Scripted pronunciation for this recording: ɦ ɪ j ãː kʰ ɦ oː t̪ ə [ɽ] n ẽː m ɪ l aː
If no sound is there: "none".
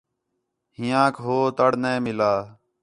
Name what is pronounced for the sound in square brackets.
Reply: ɽ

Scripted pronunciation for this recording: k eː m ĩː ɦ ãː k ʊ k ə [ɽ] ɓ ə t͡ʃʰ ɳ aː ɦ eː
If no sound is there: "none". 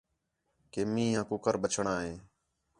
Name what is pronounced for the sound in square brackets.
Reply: ɾ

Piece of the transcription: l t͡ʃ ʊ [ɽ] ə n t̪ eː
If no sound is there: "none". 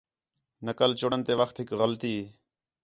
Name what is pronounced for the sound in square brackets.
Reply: ɽ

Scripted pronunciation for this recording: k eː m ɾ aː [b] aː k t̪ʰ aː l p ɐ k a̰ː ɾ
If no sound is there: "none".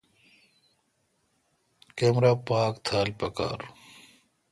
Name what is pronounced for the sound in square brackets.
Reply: p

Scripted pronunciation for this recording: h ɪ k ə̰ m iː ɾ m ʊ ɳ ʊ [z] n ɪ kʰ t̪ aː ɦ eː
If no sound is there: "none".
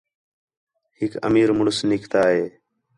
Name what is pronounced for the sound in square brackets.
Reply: s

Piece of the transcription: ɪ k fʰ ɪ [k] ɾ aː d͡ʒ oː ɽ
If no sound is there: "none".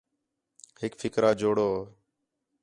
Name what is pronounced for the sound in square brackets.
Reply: k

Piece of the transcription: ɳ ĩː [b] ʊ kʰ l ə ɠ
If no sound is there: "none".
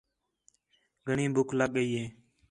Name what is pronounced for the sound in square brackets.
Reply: b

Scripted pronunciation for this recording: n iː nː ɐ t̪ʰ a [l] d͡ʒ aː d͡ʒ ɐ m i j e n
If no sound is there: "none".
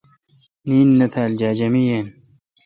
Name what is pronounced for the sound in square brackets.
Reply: l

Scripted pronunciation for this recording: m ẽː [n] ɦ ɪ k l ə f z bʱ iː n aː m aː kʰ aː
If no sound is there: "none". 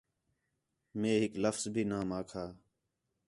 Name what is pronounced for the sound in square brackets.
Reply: none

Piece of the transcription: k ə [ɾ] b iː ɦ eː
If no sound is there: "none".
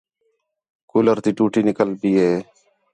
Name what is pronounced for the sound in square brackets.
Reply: l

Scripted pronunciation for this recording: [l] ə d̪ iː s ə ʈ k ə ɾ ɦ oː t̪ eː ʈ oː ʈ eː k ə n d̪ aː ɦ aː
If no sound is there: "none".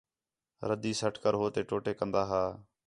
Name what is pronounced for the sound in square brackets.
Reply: ɾ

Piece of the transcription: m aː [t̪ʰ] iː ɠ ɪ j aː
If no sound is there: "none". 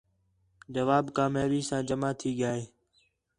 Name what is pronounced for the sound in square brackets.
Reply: t̪ʰ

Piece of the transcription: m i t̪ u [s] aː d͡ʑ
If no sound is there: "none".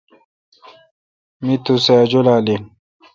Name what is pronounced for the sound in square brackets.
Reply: s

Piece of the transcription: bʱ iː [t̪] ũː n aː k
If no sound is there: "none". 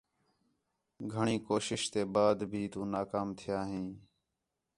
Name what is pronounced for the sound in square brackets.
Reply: t̪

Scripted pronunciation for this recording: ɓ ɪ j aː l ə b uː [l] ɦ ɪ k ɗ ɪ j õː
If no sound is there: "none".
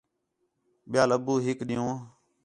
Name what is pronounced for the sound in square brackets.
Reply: none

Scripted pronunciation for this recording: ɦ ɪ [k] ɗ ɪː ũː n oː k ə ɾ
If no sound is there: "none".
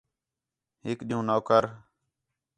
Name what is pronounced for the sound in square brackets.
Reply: k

